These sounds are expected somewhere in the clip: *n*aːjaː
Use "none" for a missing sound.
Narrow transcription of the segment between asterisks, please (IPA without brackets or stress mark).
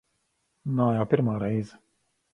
n